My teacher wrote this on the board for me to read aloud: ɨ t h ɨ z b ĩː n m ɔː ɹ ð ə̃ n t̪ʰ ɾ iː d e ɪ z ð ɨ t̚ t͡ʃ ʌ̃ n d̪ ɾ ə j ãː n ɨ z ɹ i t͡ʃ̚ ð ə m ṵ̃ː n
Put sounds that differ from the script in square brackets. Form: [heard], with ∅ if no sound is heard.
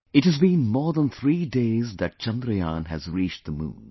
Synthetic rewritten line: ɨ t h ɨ z b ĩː n m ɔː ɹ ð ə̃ n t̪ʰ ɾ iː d e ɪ z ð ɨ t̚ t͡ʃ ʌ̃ n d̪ ɾ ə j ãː n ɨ z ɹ i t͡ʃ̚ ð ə m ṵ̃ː n